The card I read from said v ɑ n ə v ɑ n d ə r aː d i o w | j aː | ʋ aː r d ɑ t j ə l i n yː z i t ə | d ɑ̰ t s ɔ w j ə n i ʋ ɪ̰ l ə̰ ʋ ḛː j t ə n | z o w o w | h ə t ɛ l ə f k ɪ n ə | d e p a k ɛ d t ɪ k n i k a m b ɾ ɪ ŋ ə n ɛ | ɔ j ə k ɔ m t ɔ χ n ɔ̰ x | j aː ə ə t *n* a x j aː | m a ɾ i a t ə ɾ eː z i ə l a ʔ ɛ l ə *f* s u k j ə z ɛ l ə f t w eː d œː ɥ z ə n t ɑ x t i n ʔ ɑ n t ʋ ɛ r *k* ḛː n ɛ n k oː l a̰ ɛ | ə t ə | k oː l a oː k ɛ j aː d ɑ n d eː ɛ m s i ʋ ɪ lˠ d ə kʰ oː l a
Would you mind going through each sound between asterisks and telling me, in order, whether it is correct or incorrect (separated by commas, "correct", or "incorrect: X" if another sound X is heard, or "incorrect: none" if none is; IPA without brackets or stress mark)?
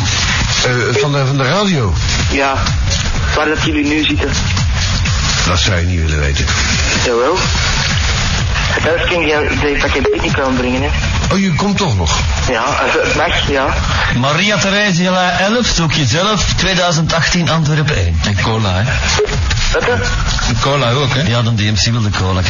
incorrect: m, correct, incorrect: p